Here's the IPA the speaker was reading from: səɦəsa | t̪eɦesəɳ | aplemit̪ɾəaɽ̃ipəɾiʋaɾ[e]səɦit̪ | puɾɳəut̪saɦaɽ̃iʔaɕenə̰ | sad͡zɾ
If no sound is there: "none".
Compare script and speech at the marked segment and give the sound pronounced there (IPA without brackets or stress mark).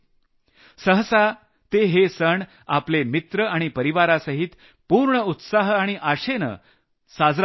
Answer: a